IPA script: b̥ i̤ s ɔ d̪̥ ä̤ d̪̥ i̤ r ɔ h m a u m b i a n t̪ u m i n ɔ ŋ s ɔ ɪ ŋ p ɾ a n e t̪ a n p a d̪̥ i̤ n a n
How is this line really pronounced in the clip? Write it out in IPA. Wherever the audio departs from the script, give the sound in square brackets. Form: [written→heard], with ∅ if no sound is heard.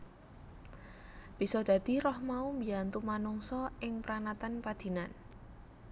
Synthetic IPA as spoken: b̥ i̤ s ɔ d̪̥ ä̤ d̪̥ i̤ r ɔ h m a u m b i a n t̪ u m [i→a] n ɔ ŋ s ɔ ɪ ŋ p ɾ a n [e→a] t̪ a n p a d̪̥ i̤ n a n

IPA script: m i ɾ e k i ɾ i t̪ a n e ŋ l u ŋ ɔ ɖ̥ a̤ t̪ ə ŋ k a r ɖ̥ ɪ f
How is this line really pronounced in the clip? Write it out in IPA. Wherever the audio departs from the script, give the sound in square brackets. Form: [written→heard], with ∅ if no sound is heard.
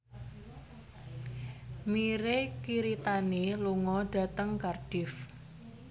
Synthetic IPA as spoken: m i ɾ e k i ɾ i t̪ a n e [ŋ→∅] l u ŋ ɔ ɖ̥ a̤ t̪ ə ŋ k a r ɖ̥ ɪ f

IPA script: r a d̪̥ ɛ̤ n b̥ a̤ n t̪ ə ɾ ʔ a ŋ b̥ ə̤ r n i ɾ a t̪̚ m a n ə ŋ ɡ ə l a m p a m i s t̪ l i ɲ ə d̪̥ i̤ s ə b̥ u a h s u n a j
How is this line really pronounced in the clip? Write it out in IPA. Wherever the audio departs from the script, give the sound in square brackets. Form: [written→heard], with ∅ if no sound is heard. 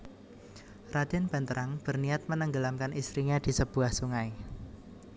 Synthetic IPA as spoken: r a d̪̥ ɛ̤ n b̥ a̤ n t̪ ə ɾ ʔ a ŋ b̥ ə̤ r n i [ɾ→∅] a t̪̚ m [a→ə] n ə ŋ ɡ ə l a m [p→k] a [m→n] i s t̪ [l→ɾ] i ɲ [ə→a] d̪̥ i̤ s ə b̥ u a h s u [n→ŋ] a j

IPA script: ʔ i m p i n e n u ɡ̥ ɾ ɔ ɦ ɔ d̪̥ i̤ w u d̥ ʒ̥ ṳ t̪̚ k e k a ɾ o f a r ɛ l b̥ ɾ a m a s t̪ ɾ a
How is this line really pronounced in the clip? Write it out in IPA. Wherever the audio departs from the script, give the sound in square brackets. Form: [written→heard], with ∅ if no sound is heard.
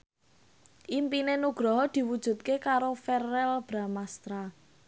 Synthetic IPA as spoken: ʔ i m p i n e n u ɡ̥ ɾ ɔ ɦ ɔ d̪̥ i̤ w u d̥ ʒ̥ ṳ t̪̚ k e k a ɾ o f [a→ɛ] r ɛ l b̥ ɾ a m a s t̪ ɾ a

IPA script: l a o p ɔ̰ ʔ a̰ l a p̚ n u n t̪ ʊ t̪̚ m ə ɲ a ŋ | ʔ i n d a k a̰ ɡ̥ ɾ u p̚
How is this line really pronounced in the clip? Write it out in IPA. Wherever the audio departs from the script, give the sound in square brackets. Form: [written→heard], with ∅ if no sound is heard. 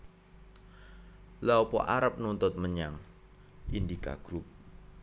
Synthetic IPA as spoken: l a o p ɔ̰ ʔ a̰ [l→ɾ] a p̚ n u n t̪ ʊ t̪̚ m ə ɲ a ŋ | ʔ i n d [a→i] k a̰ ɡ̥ ɾ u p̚

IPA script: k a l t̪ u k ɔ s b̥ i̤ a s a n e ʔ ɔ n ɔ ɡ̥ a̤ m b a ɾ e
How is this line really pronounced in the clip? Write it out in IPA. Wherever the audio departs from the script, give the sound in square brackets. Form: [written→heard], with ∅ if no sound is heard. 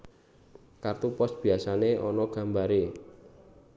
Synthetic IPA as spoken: k a [l→r] t̪ u [k→p] ɔ s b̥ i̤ a s a n e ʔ ɔ n ɔ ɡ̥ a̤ m b a ɾ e

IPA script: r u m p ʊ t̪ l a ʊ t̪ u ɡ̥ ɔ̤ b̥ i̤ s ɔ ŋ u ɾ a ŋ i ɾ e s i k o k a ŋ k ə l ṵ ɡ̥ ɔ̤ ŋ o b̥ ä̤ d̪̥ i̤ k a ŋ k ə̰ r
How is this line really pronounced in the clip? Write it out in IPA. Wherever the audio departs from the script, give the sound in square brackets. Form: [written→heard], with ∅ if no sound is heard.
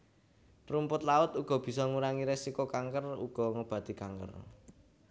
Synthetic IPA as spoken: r u m p ʊ t̪ l a ʊ t̪ u ɡ̥ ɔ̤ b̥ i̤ s ɔ ŋ u ɾ a ŋ i ɾ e s i k o k a ŋ k ə [l→r] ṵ ɡ̥ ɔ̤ ŋ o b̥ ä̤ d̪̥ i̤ k a ŋ k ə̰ r

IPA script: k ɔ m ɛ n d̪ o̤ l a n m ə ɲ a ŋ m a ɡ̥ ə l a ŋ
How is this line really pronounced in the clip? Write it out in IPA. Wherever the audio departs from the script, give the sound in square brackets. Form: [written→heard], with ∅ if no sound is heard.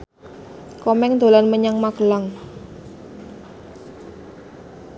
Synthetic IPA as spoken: k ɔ m ɛ [n→ŋ] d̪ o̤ l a n m ə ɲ a ŋ m a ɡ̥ ə l a ŋ

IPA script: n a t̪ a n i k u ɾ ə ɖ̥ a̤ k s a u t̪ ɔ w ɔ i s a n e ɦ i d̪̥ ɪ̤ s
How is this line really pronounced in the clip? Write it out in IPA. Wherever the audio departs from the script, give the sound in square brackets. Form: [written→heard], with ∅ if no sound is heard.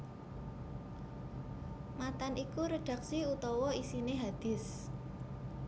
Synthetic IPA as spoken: [n→m] a t̪ a n i k u ɾ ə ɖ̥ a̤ k s [a→i] u t̪ ɔ w ɔ i s [a→i] n e ɦ [i→a] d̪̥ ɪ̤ s

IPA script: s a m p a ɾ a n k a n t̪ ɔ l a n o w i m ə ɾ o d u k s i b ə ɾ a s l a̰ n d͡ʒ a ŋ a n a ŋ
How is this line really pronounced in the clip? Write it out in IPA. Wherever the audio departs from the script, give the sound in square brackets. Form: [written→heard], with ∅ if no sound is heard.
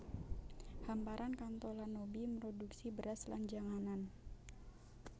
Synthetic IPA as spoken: [s→h] a m p a ɾ a n k a n t̪ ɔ l a n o [w→b] i m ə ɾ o d u k s i b ə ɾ a s l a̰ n d͡ʒ a ŋ a n a [ŋ→n]

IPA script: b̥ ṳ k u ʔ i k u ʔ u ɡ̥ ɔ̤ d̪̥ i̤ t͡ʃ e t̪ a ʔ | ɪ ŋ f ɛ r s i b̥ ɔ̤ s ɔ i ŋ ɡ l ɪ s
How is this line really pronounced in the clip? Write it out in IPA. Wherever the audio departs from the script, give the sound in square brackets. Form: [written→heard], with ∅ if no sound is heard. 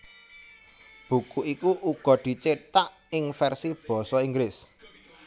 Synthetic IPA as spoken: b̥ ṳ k u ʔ i k u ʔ u ɡ̥ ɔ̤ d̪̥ i̤ t͡ʃ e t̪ a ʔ | ɪ ŋ f ɛ r s i b̥ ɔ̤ s ɔ i ŋ ɡ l ɪ s

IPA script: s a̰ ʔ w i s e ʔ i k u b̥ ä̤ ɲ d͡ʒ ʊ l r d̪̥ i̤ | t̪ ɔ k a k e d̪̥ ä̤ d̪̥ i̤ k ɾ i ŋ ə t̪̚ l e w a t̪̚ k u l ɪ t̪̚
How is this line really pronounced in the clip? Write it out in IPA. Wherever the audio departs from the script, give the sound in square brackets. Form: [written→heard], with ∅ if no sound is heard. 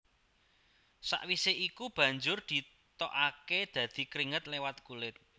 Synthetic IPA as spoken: s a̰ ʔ w i s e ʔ i k u b̥ ä̤ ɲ d͡ʒ ʊ [l→∅] r d̪̥ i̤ | t̪ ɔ [k→ʔ] a k e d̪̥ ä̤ d̪̥ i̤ k ɾ i ŋ ə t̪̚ l e w a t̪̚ k u l ɪ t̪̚

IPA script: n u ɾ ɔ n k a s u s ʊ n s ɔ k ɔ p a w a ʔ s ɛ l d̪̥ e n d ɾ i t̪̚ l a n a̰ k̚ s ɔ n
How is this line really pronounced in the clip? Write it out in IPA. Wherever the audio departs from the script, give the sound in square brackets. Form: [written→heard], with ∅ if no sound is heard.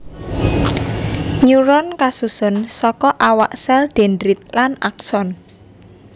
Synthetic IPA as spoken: [n→ɲ] u ɾ ɔ n k a s u s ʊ n s ɔ k ɔ [p→ʔ] a w a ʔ s ɛ l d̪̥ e n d ɾ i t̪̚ l a n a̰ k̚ s ɔ n

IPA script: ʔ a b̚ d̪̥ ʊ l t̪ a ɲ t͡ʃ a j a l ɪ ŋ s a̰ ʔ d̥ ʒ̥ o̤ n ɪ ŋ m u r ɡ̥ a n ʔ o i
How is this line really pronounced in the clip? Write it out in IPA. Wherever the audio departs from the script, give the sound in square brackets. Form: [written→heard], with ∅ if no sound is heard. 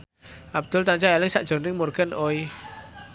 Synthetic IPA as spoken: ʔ a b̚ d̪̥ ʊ l t̪ a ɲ t͡ʃ a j a l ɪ ŋ s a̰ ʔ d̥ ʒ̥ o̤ n ɪ ŋ m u r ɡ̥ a n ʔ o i

